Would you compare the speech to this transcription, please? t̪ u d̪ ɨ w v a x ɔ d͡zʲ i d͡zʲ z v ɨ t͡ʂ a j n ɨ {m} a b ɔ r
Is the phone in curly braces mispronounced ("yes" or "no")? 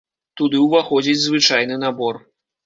yes